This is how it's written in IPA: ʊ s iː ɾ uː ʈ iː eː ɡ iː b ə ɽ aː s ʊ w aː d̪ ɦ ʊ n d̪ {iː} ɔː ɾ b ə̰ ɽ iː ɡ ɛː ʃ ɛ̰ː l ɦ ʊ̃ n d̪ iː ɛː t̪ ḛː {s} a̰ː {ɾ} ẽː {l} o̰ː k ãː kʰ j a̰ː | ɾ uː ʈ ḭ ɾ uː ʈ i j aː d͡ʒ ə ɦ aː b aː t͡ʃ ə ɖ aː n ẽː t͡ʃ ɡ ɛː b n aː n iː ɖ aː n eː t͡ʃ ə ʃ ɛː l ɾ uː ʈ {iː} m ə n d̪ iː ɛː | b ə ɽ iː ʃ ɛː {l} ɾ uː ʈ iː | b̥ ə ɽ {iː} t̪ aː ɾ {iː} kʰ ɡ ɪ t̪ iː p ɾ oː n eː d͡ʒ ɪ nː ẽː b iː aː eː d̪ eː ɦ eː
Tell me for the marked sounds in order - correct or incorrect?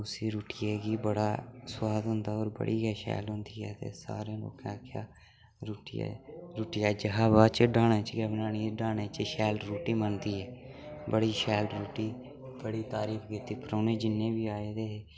incorrect, correct, correct, correct, correct, correct, correct, correct

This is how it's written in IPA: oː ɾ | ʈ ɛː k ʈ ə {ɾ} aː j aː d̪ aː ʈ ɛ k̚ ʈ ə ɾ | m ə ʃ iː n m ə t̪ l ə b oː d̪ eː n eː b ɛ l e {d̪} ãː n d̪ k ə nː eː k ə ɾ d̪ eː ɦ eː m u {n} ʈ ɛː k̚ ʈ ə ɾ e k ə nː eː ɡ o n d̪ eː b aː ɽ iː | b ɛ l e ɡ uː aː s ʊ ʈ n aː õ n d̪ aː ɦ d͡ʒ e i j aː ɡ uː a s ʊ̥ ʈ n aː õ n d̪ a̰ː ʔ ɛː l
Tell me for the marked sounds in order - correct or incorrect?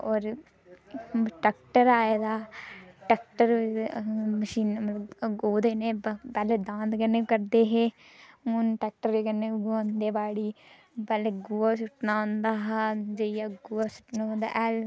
correct, correct, correct

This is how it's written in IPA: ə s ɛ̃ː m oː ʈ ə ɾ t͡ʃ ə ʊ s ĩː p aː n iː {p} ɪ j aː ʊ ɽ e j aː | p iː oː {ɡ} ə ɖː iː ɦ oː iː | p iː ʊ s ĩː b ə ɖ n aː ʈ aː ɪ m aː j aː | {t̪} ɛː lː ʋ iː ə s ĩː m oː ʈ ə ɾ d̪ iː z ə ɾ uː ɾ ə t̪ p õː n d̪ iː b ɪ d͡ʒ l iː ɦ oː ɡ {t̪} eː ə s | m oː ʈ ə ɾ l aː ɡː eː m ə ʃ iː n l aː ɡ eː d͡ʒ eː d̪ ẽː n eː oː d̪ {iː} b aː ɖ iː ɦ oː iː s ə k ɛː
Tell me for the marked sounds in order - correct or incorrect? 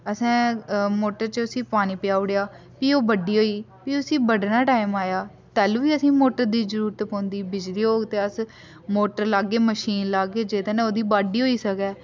correct, incorrect, correct, correct, correct

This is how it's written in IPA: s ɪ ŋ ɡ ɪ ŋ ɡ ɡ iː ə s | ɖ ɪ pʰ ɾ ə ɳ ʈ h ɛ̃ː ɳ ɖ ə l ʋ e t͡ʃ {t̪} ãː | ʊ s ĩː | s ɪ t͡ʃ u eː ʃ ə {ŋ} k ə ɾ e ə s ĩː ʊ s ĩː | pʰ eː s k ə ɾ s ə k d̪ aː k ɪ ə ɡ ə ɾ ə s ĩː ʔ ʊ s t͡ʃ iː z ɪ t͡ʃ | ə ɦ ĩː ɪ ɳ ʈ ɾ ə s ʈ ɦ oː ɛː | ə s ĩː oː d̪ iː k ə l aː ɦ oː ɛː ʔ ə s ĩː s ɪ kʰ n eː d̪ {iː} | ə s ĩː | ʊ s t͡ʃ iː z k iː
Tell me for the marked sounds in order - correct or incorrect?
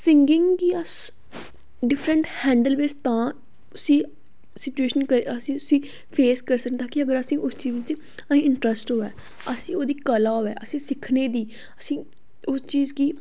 correct, incorrect, correct

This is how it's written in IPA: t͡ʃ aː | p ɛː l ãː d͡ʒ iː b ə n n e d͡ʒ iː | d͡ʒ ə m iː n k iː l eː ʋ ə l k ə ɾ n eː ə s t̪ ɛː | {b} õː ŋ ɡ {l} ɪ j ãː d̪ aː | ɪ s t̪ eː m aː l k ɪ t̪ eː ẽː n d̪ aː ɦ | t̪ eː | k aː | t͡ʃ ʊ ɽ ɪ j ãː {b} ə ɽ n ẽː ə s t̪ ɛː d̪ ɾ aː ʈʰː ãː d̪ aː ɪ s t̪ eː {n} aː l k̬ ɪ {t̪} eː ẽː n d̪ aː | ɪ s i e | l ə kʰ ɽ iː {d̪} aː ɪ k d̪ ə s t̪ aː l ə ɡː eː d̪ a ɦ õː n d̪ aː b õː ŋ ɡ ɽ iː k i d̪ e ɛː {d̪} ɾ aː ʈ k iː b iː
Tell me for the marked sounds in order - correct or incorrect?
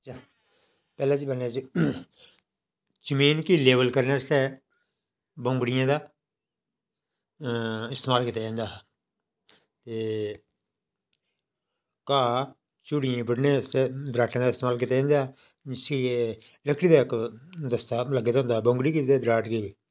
correct, incorrect, correct, incorrect, correct, correct, correct

